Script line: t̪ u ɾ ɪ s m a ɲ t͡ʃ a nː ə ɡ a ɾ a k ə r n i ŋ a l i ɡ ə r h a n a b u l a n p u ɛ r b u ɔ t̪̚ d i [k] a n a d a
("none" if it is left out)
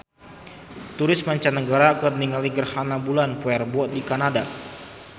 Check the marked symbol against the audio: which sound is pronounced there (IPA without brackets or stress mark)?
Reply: k